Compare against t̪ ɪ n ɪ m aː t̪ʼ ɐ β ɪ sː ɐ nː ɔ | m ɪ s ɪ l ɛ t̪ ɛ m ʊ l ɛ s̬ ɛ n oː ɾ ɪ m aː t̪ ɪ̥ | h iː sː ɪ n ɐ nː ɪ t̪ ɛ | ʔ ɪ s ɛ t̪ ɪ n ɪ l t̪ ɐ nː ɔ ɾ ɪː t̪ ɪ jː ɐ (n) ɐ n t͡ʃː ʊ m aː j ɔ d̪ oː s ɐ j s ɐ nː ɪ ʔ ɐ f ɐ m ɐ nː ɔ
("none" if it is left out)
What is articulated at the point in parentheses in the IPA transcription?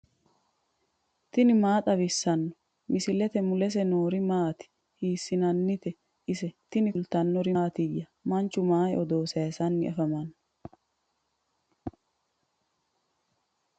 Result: m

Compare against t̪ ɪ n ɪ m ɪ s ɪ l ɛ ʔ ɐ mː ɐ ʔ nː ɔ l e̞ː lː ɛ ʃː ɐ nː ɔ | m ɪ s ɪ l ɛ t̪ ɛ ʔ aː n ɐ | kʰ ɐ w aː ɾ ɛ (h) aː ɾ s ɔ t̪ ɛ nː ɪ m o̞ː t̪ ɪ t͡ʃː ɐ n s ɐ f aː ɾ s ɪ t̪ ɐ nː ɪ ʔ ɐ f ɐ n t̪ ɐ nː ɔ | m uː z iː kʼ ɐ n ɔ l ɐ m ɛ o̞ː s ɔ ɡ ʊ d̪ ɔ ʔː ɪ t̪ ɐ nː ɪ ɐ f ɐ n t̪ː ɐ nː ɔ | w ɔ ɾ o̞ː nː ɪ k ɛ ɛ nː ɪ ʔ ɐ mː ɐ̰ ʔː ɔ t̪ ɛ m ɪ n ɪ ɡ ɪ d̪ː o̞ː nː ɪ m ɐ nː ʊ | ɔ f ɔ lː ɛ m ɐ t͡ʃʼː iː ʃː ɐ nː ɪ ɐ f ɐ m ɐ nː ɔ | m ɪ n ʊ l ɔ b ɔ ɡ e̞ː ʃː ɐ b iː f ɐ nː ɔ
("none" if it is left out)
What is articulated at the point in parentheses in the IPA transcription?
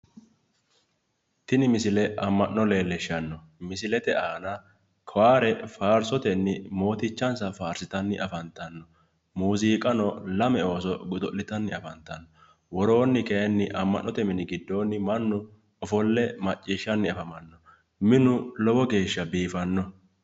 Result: f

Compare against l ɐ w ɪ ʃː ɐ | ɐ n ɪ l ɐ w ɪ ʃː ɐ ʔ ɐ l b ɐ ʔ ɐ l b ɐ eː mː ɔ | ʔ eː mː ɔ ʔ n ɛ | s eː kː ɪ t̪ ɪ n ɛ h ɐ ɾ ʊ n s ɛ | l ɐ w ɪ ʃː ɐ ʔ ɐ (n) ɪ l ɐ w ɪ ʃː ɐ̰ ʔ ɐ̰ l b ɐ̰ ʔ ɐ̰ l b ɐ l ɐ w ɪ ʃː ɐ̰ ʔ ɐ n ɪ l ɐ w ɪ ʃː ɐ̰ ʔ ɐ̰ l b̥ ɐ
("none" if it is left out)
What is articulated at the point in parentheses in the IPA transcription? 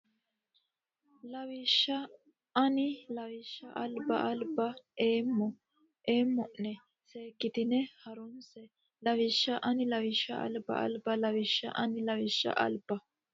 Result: n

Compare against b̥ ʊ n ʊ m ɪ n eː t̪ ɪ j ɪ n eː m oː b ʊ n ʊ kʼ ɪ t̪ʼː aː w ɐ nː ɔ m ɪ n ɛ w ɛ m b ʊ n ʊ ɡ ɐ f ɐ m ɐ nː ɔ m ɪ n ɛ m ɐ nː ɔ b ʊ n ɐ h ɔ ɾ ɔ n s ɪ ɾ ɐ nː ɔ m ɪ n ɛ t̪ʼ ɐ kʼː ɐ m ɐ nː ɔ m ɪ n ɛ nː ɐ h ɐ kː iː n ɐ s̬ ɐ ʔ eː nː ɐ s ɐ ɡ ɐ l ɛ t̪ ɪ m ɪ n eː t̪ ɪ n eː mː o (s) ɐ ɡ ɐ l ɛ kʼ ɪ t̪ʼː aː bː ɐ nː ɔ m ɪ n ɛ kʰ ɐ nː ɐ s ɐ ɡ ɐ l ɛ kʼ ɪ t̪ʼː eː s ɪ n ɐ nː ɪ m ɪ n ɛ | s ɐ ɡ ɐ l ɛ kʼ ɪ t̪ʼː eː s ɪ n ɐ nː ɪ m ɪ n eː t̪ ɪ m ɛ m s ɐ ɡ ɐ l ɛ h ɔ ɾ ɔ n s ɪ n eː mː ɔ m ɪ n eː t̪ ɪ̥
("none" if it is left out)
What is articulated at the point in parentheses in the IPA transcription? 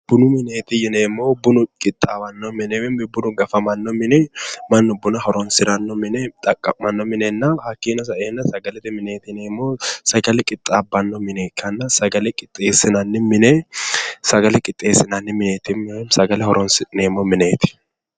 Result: s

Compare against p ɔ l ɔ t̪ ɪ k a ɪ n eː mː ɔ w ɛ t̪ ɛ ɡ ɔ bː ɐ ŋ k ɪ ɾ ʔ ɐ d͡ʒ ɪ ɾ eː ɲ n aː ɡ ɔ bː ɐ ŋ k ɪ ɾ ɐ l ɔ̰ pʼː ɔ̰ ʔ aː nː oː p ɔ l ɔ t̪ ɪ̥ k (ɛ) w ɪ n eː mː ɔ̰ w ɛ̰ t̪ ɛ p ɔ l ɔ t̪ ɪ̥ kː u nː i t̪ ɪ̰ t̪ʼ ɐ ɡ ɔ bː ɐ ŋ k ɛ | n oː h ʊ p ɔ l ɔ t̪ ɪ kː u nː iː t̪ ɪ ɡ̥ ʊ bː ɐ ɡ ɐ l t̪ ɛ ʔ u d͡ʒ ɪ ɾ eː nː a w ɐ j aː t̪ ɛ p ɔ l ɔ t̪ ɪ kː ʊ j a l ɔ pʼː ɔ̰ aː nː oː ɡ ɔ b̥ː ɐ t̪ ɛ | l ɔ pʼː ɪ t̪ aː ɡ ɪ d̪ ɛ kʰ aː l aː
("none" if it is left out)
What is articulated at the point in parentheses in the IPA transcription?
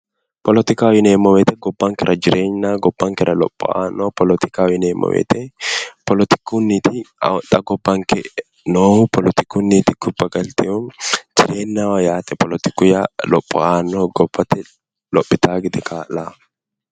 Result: a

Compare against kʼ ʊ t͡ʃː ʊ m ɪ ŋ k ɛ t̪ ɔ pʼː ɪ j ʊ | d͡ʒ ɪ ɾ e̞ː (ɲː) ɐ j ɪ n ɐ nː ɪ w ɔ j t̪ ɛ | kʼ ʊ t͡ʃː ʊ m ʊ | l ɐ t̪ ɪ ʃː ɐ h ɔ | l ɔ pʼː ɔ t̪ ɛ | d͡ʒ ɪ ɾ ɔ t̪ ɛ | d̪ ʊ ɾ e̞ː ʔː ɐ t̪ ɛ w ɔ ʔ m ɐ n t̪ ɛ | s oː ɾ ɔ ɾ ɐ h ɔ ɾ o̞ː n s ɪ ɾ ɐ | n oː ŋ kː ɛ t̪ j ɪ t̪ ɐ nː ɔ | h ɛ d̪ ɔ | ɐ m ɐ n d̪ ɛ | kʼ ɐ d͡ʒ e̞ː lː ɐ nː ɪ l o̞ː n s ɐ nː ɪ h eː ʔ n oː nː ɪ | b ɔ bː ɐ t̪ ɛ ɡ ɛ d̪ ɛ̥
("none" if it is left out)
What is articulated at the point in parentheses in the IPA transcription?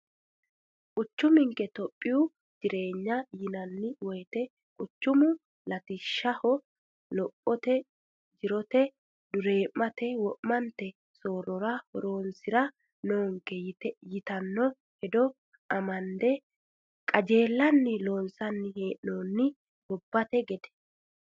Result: ɲː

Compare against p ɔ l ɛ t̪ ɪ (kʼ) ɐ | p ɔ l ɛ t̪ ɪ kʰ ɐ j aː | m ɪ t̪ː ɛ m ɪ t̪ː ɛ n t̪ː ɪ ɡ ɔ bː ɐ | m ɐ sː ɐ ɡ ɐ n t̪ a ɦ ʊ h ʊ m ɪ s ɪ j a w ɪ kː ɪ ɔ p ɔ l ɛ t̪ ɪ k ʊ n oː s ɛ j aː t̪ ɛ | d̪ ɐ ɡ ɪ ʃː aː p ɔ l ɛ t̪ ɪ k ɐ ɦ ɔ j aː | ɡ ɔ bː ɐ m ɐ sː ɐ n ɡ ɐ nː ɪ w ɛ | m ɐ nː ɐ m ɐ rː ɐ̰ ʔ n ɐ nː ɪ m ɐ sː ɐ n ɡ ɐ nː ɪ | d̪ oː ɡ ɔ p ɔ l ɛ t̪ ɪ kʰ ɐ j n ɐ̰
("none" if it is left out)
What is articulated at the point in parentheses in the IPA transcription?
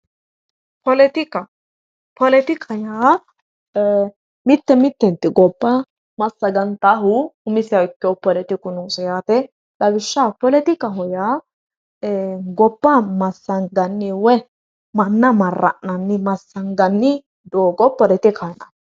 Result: k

